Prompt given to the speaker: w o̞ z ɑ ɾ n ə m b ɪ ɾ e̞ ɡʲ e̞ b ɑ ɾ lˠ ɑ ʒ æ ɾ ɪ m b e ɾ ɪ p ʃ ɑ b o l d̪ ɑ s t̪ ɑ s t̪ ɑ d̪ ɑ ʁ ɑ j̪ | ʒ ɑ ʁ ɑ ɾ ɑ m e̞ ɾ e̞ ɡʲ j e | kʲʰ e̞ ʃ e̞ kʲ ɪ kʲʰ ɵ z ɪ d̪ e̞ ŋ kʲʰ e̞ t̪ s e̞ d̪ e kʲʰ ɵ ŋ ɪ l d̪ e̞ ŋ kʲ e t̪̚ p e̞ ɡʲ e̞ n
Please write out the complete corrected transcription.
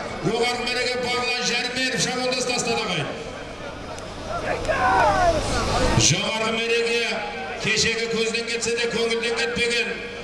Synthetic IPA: w o̞ ʁ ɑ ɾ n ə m b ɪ ɾ e̞ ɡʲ e̞ b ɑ ɾ lˠ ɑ ʒ æ ɾ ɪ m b e ɾ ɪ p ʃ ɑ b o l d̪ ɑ s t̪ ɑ s t̪ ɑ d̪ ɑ ʁ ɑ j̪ | ʒ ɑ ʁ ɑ ɾ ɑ m e̞ ɾ e̞ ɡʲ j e | kʲʰ e̞ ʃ e̞ ɡʲ ɪ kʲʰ ɵ z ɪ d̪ e̞ ŋ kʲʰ e̞ t̪ s e̞ d̪ e kʲʰ ɵ ŋ ɪ l d̪ e̞ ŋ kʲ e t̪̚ p e̞ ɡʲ e̞ n